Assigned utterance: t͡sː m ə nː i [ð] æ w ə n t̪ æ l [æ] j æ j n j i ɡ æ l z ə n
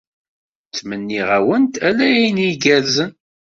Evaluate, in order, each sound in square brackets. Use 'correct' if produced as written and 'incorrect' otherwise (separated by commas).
incorrect, correct